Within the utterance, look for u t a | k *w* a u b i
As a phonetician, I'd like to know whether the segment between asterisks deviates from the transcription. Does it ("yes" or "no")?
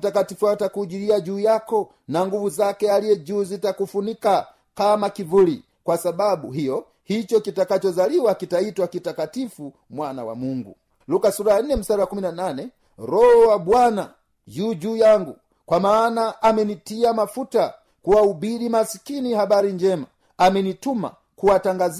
yes